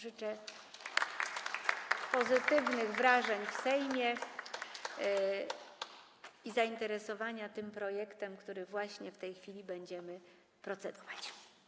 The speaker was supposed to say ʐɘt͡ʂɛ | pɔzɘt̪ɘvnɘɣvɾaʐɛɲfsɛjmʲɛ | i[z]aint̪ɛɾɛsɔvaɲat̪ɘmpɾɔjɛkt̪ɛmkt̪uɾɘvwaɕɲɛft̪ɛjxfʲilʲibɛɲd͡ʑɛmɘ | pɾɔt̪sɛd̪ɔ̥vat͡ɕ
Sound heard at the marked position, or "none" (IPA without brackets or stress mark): z